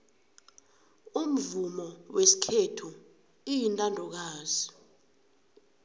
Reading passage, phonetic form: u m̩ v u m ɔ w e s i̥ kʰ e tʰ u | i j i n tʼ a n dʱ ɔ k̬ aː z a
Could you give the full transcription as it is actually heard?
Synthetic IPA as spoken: u m̩ v u m ɔ w e s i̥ kʰ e tʰ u | i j i n tʼ a n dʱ ɔ k̬ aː z i